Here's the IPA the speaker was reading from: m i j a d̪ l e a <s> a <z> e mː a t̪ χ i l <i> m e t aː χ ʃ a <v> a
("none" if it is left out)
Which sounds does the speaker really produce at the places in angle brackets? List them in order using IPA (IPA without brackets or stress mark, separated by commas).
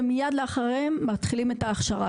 χ, ʁ, i, ʁ